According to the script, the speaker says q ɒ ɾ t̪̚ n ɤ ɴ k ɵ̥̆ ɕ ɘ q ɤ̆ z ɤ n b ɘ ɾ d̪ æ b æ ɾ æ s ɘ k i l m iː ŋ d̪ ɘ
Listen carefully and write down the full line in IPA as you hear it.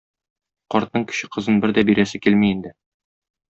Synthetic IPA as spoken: q ɒ ɾ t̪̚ n ɤ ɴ k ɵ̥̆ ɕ ɘ q ɤ̆ z ɤ n b ɘ ɾ d̪ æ b i ɾ æ s ɘ k i l m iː n d̪ ɘ